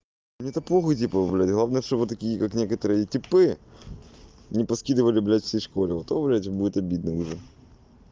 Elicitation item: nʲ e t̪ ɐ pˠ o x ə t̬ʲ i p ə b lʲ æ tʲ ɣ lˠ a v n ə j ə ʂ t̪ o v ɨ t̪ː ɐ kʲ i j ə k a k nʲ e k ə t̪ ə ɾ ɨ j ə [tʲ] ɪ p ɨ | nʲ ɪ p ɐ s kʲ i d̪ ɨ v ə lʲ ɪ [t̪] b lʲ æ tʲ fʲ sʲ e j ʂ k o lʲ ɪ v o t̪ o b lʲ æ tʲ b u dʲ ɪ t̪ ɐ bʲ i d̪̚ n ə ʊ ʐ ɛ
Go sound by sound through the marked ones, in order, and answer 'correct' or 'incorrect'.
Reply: correct, incorrect: none

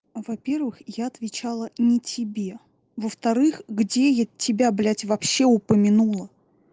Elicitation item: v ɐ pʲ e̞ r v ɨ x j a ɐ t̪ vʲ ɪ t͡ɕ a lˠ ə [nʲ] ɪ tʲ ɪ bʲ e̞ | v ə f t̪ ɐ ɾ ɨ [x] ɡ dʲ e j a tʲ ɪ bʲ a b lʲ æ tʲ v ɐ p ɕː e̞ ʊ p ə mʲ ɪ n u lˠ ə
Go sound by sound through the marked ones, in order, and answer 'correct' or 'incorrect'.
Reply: correct, correct

